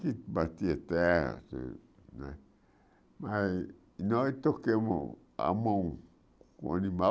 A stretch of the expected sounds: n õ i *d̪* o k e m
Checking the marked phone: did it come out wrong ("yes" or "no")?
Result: yes